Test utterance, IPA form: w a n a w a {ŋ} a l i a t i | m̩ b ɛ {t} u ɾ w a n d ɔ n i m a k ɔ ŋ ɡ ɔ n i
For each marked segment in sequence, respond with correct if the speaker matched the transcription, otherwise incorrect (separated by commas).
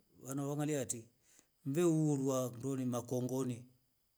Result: correct, incorrect